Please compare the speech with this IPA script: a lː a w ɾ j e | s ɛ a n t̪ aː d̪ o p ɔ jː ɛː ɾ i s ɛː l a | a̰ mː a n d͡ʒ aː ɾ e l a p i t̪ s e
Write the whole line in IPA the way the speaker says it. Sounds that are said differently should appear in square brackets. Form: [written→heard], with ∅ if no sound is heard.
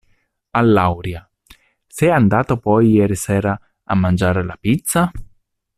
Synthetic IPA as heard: a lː a w ɾ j [e→a] | s ɛ a n [t̪→d̪] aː [d̪→t̪] o p ɔ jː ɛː ɾ i s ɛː [l→ɾ] a | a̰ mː a n d͡ʒ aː ɾ e l a p i t̪ s [e→a]